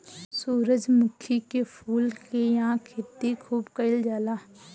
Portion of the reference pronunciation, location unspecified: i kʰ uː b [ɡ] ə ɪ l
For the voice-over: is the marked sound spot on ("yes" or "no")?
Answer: no